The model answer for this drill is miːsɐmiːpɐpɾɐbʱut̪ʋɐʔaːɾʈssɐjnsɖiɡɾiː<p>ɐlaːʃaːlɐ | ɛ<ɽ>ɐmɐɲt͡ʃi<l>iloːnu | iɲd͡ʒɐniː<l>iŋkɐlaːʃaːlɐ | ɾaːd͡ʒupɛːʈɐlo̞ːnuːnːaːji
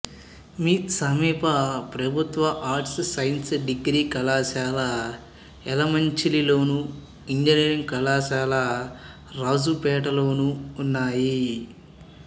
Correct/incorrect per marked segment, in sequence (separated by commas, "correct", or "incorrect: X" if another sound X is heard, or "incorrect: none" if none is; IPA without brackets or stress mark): incorrect: k, incorrect: l, correct, incorrect: ɾ